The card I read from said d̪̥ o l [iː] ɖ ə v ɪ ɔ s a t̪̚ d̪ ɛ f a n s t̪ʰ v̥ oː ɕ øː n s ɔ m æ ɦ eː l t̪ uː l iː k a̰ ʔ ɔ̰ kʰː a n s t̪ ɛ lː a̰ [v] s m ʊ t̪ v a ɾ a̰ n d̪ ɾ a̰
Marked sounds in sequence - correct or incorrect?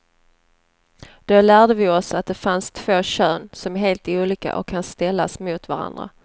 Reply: incorrect: æː, incorrect: none

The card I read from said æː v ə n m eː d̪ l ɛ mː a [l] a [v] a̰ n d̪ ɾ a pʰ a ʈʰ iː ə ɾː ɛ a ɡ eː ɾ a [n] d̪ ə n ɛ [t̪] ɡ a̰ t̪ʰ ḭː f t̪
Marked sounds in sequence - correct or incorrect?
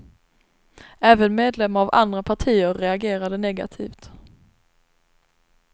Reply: incorrect: ɾ, correct, incorrect: none, incorrect: none

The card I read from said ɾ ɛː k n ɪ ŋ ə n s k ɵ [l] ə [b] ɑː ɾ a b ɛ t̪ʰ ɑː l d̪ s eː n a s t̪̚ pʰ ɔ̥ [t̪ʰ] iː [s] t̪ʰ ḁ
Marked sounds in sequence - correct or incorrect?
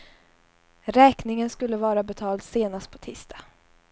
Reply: incorrect: lː, incorrect: v, correct, correct

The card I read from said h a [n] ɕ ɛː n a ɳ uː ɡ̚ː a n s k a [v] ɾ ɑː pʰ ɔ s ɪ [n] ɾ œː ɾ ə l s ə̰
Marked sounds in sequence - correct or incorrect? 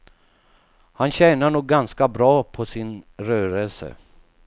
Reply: correct, incorrect: b, correct

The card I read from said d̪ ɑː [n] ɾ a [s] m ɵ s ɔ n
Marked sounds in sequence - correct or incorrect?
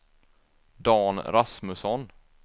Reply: correct, correct

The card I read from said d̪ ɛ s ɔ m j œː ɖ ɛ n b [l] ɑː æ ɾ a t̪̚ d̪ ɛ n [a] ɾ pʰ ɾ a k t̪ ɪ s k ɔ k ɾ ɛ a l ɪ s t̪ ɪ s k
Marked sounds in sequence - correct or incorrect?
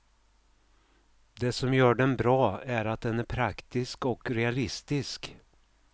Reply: incorrect: ɾ, incorrect: æ

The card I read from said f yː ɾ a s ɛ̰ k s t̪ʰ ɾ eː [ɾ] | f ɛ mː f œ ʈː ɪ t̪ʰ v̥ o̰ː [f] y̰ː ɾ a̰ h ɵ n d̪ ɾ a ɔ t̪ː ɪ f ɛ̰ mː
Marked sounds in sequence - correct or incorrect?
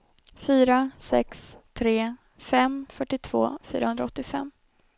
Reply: incorrect: none, correct

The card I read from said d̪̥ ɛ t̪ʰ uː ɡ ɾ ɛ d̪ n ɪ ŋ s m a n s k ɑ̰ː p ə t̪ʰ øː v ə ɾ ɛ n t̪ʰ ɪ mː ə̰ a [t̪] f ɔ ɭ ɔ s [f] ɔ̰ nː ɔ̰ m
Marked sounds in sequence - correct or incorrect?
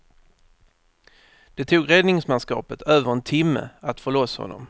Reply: correct, incorrect: h

